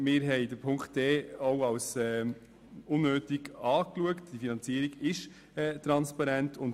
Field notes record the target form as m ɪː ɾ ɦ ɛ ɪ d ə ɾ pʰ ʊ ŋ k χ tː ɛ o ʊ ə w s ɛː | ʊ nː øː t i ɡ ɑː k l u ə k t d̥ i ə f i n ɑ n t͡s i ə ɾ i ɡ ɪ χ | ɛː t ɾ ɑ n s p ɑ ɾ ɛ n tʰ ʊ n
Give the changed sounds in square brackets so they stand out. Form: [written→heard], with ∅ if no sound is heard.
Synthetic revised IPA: m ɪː ɾ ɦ ɛ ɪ d ə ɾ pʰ ʊ ŋ k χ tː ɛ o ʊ [ə→ɑ] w s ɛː | ʊ nː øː t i ɡ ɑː k l u ə k t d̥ i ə f i n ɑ n t͡s i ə ɾ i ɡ ɪ [χ→ʃ] | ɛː t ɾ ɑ n s p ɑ ɾ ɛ n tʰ ʊ n

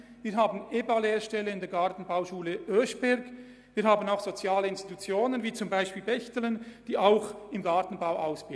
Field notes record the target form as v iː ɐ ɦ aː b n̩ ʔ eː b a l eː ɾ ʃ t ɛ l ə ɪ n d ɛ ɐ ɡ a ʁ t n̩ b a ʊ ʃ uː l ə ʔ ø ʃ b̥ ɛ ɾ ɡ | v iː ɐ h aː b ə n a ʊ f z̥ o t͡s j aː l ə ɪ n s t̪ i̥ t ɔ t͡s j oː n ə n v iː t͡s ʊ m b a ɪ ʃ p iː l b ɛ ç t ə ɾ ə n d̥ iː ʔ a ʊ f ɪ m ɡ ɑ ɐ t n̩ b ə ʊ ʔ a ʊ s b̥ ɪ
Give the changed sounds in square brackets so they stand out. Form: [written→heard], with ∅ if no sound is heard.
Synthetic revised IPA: v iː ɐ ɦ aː b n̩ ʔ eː b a l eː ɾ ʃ t ɛ l ə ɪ n d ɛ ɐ ɡ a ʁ t n̩ b a ʊ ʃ uː l ə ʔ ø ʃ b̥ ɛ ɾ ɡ | v iː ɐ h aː b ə n a ʊ [f→x] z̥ o t͡s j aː l ə ɪ n s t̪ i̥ t [ɔ→u] t͡s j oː n ə n v iː t͡s ʊ m b a ɪ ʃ p iː l b ɛ ç t ə [ɾ→l] ə n d̥ iː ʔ a ʊ [f→x] ɪ m ɡ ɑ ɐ t n̩ b [ə→a] ʊ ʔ a ʊ s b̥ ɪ

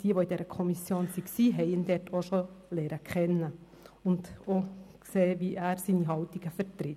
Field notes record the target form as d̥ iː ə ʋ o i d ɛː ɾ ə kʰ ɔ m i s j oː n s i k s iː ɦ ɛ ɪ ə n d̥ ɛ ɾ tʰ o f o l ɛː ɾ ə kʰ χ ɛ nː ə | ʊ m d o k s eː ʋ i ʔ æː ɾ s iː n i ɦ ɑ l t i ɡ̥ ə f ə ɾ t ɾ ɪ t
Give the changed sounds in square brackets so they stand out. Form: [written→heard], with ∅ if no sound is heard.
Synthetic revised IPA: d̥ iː ə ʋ o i d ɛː ɾ ə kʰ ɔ m i s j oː n s i k s iː ɦ ɛ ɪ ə n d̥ ɛ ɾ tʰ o [f→ʃ] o l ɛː ɾ ə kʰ χ ɛ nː ə | ʊ [m→n] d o k s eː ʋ i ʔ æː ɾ s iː n i ɦ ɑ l t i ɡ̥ ə f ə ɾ t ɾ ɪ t

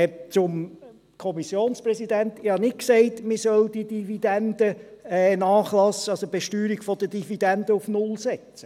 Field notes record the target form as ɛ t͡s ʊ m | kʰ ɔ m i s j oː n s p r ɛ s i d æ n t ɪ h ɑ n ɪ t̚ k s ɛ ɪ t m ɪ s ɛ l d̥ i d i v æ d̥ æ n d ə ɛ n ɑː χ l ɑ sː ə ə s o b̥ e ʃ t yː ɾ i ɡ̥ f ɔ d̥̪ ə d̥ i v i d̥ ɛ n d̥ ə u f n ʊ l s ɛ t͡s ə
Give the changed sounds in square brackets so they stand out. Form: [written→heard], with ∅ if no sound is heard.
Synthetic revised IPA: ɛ t͡s ʊ m | kʰ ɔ m i s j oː n s p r ɛ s i d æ n t ɪ h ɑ n ɪ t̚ k s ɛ ɪ t m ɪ s [ɛ→œ] l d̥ i d i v [æ→i] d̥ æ n d ə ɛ n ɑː χ l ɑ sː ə [ə→ɑ] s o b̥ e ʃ t yː ɾ i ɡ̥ f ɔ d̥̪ ə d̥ i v i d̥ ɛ n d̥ ə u f n ʊ l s ɛ t͡s ə

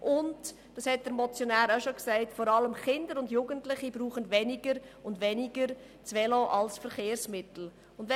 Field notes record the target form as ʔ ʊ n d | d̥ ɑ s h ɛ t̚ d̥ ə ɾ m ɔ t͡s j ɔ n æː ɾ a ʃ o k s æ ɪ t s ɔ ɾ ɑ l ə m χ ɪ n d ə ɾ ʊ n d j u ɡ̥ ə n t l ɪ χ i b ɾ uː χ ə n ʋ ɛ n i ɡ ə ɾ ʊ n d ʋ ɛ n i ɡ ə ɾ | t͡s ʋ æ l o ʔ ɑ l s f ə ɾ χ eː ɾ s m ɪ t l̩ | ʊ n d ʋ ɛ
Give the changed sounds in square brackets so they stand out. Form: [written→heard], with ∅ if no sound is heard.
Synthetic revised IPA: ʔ ʊ n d | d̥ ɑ s h ɛ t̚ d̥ ə ɾ m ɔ t͡s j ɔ n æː ɾ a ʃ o k s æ ɪ t [s→f] ɔ ɾ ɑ l ə m χ ɪ n d ə ɾ ʊ n d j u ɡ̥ ə n t l ɪ χ i b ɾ uː χ ə n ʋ ɛ n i ɡ ə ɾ ʊ n d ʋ ɛ n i ɡ ə ɾ | t͡s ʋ [æ→ɛ] l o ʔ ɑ l s f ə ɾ χ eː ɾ s m ɪ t l̩ | ʊ n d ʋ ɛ

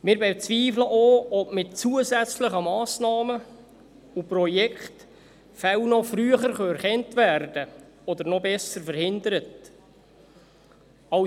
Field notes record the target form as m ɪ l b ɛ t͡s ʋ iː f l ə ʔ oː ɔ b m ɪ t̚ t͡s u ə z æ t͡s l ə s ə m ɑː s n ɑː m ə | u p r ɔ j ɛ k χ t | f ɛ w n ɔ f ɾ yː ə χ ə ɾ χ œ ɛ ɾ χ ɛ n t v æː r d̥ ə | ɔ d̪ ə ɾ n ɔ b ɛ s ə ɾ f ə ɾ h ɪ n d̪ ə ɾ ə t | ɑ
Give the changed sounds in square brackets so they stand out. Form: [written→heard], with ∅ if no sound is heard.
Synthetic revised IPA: m ɪ [l→ɾ] b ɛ t͡s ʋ iː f l ə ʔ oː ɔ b m ɪ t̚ t͡s u ə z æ t͡s l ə [s→χ] ə m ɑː s n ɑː m ə | u p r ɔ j ɛ k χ t | f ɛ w n ɔ f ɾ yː ə χ ə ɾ χ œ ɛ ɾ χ ɛ n t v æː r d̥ ə | ɔ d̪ ə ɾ n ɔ b ɛ s ə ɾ f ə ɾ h ɪ n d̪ ə ɾ ə t | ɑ

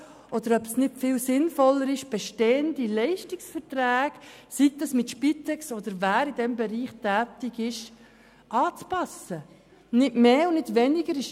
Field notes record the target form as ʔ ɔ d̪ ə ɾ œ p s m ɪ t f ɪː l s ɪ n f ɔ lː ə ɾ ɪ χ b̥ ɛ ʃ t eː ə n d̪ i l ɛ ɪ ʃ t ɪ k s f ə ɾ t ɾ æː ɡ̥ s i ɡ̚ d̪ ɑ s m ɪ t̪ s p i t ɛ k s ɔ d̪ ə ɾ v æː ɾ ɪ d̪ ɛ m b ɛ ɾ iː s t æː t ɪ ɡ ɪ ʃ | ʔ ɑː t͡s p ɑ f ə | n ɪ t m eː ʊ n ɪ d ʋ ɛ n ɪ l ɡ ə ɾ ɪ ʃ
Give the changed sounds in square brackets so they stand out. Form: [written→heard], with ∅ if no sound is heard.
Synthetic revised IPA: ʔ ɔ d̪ ə ɾ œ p s [m→n] ɪ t f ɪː l s ɪ n f ɔ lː ə ɾ ɪ [χ→ʃ] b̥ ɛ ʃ t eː ə n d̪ i l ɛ ɪ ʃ t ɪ k s f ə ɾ t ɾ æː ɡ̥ s i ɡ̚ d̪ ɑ s m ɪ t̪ [s→ʃ] p i t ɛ k s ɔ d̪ ə ɾ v æː ɾ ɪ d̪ ɛ m b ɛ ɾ iː [s→χ] t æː t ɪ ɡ ɪ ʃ | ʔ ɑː t͡s p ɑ [f→s] ə | n ɪ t m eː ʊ n ɪ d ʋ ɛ n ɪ [l→∅] ɡ ə ɾ ɪ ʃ

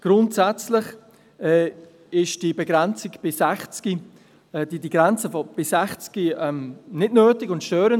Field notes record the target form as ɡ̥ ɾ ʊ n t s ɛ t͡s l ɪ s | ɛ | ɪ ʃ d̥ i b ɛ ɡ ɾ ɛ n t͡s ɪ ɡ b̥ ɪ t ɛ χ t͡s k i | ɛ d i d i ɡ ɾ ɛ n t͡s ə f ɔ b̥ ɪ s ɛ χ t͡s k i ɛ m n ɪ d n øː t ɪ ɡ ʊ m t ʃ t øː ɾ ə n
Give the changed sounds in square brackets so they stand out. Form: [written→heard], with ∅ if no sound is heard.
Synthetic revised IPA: ɡ̥ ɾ ʊ n t s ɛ t͡s l ɪ [s→χ] | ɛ | ɪ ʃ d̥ i b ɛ ɡ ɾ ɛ n t͡s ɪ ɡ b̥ ɪ [t→s] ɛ χ t͡s k i | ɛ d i d i ɡ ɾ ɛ n t͡s ə f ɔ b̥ ɪ s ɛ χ t͡s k i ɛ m n ɪ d n øː t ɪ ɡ ʊ [m→n] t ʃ t øː ɾ ə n

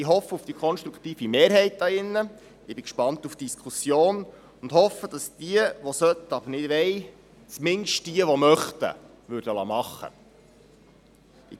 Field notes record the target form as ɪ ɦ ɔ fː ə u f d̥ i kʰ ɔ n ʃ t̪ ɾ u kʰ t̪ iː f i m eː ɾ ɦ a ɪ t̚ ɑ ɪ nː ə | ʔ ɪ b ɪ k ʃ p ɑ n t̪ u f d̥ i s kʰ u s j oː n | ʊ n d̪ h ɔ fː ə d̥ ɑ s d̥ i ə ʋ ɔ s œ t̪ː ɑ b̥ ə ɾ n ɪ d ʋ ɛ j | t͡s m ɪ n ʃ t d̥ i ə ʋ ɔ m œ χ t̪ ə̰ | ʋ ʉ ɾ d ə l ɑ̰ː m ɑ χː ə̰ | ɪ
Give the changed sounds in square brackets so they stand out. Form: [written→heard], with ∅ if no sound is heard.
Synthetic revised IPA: ɪ ɦ ɔ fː ə u f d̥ i kʰ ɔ n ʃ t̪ ɾ u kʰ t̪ iː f i m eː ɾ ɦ [a→ɛ] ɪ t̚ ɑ ɪ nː ə | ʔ ɪ b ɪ k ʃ p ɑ n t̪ u f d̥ i s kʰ u s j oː n | ʊ n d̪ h ɔ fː ə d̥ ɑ s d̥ i ə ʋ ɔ s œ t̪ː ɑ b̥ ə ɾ n ɪ d ʋ ɛ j | t͡s m ɪ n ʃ t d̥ i ə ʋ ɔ m œ χ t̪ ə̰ | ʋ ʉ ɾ d ə l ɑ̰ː m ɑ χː ə̰ | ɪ

